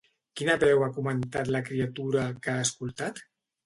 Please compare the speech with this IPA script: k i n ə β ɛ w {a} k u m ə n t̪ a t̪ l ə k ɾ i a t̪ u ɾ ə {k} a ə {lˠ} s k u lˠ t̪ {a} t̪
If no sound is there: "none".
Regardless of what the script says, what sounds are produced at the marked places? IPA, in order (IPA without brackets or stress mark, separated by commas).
a, k, none, a